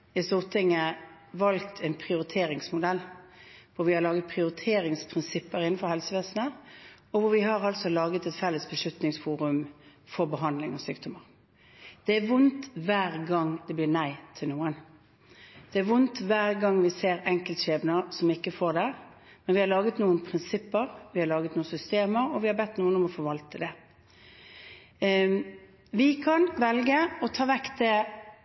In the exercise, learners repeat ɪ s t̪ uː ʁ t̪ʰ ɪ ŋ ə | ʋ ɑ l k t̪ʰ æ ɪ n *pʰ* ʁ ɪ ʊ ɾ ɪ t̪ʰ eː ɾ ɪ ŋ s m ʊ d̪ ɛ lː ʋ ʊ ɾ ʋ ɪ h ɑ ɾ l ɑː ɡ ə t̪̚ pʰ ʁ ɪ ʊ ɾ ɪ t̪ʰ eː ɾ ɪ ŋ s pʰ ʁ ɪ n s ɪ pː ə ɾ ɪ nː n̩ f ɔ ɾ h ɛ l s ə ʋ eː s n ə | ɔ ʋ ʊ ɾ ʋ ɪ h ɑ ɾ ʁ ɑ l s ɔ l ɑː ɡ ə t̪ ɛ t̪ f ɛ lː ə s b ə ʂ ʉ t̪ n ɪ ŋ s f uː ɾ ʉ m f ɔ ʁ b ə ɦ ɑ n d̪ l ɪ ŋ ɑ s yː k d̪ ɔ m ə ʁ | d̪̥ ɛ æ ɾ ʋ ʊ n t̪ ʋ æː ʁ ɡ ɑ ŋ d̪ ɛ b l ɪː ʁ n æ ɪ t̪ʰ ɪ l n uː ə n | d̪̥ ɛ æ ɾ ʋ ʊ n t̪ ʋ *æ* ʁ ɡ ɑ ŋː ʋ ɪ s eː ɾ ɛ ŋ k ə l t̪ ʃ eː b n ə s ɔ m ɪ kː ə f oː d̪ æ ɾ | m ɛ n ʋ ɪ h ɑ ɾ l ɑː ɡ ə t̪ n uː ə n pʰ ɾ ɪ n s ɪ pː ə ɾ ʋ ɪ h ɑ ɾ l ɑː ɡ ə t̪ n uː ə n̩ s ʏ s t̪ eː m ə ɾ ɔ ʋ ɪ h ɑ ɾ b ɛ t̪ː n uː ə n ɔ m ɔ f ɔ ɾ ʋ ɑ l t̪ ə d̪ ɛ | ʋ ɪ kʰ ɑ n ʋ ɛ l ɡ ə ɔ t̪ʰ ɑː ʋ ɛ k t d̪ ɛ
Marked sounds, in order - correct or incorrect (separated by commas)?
correct, incorrect